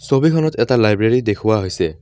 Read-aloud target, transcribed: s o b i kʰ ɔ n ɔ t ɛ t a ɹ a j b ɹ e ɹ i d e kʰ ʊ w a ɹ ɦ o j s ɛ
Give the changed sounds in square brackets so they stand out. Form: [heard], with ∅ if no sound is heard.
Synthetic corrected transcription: s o b i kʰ ɔ n ɔ t ɛ t a [l] a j b ɹ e ɹ i d e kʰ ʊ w a [∅] ɦ o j s ɛ

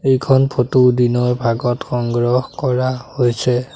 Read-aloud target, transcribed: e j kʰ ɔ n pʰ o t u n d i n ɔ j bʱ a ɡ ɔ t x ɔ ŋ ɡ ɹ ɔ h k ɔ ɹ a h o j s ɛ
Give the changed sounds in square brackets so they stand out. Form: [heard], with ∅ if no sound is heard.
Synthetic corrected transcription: e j kʰ ɔ n pʰ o t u [∅] d i n ɔ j bʱ a ɡ ɔ t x ɔ ŋ ɡ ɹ ɔ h k ɔ ɹ a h o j s ɛ

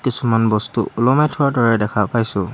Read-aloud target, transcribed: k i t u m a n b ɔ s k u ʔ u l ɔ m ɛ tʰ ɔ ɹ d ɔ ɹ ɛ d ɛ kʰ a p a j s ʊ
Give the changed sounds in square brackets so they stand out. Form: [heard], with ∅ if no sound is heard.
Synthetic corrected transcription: k i [s] u m a n b ɔ s [t] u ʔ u l ɔ m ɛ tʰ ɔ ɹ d ɔ ɹ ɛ d ɛ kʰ a p a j s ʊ

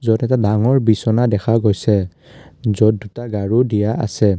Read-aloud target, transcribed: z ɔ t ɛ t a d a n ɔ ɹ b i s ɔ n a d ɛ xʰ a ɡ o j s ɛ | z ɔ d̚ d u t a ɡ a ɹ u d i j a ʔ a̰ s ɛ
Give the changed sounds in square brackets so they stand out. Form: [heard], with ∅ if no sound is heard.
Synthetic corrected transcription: z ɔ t ɛ t a d a [ŋ] ɔ ɹ b i s ɔ n a d ɛ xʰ a ɡ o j s ɛ | z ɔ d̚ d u t a ɡ a ɹ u d i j a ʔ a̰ s ɛ

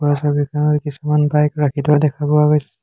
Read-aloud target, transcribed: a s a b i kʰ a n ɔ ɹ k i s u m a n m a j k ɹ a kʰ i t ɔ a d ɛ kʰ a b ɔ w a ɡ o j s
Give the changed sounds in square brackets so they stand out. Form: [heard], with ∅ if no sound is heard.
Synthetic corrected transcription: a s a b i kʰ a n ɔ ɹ k i s u m a n [b] a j k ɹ a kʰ i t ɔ a d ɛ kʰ a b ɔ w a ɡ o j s

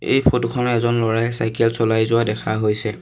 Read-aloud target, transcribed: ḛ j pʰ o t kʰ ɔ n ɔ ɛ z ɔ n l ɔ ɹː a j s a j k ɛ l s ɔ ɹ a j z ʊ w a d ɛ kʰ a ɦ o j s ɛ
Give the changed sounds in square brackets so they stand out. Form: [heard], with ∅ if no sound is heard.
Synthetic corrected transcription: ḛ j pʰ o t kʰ ɔ n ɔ ɛ z ɔ n l ɔ [ɹ] a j s a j k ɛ l s ɔ [l] a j z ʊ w a d ɛ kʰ a ɦ o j s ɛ

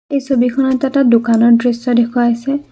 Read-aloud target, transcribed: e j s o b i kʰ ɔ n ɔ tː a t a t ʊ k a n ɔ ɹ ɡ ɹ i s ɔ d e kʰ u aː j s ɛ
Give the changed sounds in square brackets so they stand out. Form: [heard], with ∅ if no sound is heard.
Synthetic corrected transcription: e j s o b i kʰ ɔ n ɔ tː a t a [d] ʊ k a n ɔ ɹ [d] ɹ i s ɔ d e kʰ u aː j s ɛ

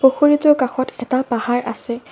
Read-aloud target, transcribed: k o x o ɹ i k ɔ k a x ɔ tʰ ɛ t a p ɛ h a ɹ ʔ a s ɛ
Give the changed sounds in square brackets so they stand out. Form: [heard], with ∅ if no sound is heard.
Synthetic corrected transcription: [p] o x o ɹ i [t] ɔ k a x ɔ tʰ ɛ t a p [a] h a ɹ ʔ a s ɛ

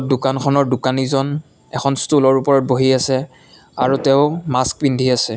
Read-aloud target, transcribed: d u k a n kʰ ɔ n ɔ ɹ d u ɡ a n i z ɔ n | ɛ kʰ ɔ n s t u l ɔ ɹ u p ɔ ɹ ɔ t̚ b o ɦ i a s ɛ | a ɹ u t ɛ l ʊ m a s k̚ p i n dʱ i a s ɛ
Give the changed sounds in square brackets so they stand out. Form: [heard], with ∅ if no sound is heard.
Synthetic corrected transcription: d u k a n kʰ ɔ n ɔ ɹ d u [k] a n i z ɔ n | ɛ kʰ ɔ n s t u l ɔ ɹ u p ɔ ɹ ɔ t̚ b o ɦ i a s ɛ | a ɹ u t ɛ [∅] ʊ m a s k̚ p i n dʱ i a s ɛ

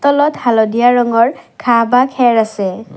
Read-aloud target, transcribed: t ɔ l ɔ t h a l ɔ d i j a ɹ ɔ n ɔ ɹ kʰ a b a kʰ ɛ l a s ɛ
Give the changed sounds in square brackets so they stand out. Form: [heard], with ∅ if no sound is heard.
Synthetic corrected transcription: t ɔ l ɔ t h a l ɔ d i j a ɹ ɔ [ŋ] ɔ ɹ kʰ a b a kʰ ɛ [ɹ] a s ɛ

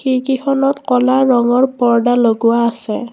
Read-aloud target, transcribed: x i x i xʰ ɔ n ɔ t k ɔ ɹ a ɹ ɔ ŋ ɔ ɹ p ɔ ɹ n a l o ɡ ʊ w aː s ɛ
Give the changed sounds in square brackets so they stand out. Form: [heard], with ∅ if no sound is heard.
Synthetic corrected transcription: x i [k] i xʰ ɔ n ɔ t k ɔ [l] a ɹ ɔ ŋ ɔ ɹ p ɔ ɹ [d] a l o ɡ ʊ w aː s ɛ

